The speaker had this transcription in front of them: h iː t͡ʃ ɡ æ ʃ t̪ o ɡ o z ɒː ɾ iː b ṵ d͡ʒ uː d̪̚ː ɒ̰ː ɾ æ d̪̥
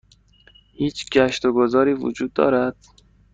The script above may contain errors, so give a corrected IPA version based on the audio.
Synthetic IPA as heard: h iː t͡ʃ ɡ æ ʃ t̪ o ɡ o z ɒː ɾ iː v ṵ d͡ʒ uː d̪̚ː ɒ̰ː ɾ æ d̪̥